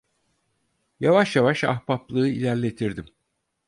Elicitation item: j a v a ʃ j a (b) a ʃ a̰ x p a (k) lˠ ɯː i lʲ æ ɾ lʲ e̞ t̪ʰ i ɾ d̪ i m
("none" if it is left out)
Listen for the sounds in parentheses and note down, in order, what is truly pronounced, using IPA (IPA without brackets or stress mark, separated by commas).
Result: v, p